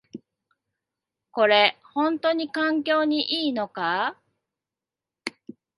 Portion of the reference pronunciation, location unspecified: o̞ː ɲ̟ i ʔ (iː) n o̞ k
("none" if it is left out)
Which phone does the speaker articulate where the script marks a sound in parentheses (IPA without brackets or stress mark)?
iː